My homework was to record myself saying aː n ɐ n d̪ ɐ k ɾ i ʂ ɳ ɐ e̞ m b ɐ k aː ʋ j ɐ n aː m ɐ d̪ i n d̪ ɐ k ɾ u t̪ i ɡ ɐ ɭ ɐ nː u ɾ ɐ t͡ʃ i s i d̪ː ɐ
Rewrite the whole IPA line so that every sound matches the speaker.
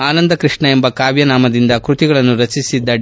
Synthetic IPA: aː n ɐ n d̪ ɐ k ɾ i ʂ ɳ ɐ e̞ m b ɐ k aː ʋ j ɐ n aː m ɐ d̪ i n d̪ ɐ k ɾ u t̪ i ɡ ɐ ɭ ɐ nː u ɾ ɐ t͡ʃ i s i d̪ː ɐ